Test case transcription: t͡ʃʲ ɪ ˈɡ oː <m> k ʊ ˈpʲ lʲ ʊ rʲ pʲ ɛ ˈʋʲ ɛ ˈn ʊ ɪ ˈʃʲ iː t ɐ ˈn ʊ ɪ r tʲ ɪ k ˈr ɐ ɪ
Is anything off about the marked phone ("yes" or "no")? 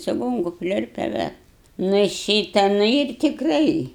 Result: yes